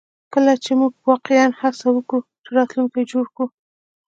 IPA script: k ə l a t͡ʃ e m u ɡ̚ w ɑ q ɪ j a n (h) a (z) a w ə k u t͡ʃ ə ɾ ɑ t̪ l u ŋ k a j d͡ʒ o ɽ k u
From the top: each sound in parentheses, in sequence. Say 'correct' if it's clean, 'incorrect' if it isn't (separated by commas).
correct, incorrect